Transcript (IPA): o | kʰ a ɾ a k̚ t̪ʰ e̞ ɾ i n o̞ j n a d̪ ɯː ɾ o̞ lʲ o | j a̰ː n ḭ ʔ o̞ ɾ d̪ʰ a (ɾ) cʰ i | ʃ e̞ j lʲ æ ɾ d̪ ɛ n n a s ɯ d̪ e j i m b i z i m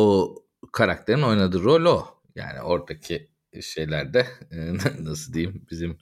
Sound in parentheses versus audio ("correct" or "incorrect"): incorrect